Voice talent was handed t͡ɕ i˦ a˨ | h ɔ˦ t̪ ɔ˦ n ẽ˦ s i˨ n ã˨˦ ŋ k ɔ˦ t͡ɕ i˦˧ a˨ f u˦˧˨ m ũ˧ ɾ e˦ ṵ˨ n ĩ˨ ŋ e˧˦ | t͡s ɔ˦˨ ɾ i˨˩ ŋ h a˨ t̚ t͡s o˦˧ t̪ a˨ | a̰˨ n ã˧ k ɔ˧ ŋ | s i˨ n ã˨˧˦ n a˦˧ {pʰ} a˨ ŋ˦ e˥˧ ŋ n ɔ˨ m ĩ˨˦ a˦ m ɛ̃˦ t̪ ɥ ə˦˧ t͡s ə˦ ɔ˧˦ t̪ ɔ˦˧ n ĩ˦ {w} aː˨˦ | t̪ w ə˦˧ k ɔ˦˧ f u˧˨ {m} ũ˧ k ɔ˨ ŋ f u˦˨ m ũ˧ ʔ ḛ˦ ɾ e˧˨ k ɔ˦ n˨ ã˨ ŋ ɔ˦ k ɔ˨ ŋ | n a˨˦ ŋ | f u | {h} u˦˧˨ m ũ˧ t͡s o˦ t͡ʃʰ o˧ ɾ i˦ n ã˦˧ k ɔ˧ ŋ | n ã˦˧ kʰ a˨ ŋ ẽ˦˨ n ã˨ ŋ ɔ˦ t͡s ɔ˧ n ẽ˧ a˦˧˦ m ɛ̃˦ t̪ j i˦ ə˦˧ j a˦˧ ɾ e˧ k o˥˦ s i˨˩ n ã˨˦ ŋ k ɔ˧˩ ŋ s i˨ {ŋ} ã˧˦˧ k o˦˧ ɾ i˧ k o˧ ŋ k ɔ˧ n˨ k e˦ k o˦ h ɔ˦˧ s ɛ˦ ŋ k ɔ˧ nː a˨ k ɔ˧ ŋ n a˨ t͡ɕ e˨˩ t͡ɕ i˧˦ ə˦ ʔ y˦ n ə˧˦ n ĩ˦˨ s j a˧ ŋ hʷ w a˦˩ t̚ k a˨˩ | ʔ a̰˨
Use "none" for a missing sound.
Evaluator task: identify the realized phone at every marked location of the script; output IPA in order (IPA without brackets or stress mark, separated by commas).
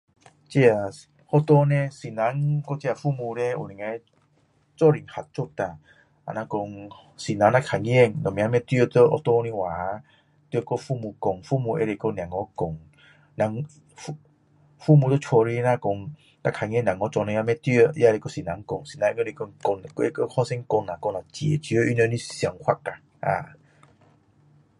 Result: kʰ, w, m, f, n